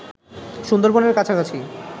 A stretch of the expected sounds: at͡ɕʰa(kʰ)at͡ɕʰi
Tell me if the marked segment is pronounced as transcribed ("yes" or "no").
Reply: no